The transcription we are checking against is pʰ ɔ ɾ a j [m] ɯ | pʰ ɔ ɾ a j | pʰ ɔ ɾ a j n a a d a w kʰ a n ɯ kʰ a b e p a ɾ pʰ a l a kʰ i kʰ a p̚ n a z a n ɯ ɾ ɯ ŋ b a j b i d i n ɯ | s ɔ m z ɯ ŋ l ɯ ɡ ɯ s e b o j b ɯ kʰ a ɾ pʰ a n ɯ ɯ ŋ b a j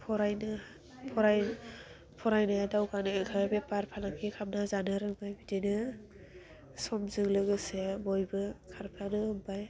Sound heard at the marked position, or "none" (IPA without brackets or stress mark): n